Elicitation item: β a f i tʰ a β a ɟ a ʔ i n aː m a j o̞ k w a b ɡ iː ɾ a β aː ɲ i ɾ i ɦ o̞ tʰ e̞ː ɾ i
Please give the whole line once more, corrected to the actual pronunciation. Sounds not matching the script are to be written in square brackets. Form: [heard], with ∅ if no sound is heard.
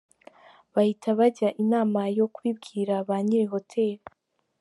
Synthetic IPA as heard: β a [h] i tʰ a β a ɟ a ʔ i n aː m a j o̞ k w [i] b ɡ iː ɾ a β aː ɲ i ɾ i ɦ o̞ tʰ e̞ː ɾ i